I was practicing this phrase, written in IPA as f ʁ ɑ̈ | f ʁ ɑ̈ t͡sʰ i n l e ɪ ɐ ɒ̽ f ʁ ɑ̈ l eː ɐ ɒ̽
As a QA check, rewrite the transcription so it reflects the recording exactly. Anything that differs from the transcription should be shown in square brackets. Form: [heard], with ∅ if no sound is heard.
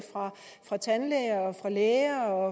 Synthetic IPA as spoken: f ʁ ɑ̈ | f ʁ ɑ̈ t͡sʰ [æ] n l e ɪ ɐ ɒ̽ f ʁ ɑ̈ l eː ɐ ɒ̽